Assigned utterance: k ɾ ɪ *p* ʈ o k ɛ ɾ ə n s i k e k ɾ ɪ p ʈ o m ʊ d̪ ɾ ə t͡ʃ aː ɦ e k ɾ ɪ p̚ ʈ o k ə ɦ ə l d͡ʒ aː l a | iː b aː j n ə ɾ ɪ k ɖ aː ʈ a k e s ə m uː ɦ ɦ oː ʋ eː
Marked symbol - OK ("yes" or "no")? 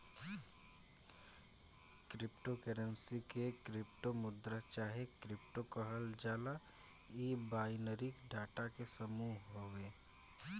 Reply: yes